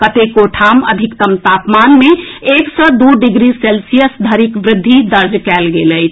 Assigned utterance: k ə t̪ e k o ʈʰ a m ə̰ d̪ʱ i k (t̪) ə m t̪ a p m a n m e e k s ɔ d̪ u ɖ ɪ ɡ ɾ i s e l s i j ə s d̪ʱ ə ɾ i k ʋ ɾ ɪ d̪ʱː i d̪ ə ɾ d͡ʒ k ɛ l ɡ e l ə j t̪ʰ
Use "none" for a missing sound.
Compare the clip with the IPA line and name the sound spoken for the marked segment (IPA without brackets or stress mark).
t̪